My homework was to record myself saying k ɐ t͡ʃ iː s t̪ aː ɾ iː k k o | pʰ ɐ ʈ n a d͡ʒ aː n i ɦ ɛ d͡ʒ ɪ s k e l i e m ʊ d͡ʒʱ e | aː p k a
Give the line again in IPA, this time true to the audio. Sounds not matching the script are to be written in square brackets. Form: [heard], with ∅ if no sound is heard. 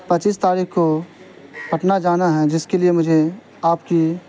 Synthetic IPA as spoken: [p] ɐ t͡ʃ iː s t̪ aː ɾ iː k k o | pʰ ɐ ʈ n a d͡ʒ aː n [a] ɦ ɛ d͡ʒ ɪ s k e l i e m ʊ d͡ʒʱ e | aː p k [i]